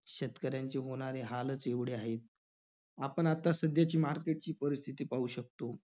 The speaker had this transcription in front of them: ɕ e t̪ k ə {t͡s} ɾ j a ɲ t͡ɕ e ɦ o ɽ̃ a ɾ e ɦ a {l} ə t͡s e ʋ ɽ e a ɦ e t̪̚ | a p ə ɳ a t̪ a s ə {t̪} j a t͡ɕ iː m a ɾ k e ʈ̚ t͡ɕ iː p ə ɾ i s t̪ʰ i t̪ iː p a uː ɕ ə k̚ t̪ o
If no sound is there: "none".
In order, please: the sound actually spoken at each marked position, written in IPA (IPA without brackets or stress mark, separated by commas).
none, l, d̪